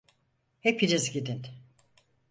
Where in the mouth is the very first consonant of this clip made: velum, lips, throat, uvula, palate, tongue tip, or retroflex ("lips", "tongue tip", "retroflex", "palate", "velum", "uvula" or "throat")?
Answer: throat